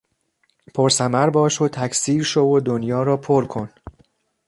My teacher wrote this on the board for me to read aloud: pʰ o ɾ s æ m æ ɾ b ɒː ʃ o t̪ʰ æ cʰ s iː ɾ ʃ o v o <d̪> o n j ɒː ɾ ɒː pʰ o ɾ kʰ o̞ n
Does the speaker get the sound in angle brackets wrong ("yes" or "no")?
no